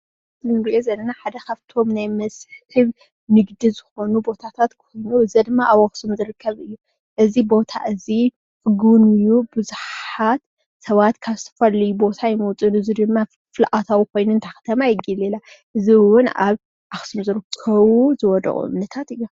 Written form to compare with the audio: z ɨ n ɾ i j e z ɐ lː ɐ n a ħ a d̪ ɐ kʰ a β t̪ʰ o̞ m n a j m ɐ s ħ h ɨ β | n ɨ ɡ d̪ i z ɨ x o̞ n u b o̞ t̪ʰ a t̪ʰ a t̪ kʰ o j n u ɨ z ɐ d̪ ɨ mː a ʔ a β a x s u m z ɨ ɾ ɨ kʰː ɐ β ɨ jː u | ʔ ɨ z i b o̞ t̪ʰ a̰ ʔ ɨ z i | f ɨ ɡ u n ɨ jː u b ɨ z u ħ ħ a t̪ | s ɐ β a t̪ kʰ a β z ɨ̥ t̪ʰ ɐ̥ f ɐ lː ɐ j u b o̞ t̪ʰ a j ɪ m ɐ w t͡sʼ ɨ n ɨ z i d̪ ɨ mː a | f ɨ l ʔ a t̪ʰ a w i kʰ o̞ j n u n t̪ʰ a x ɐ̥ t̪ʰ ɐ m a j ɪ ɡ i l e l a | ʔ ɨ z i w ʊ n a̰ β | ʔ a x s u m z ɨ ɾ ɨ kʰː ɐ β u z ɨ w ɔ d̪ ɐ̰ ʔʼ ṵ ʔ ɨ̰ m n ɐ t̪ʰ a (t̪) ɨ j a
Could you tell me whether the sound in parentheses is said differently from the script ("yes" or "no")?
no